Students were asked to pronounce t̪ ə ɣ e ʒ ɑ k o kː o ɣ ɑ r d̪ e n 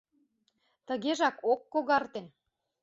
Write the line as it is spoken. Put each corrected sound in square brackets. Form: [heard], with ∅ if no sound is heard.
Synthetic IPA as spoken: t̪ ə ɣ e ʒ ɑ k o kː o ɣ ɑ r [t̪] e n